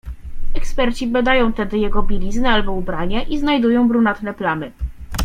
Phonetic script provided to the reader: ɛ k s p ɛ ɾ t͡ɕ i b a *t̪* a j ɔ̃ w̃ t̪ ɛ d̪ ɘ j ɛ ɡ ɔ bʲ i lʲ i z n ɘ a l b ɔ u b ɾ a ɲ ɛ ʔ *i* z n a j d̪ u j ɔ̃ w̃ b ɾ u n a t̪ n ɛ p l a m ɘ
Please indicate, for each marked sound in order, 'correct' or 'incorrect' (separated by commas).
incorrect, correct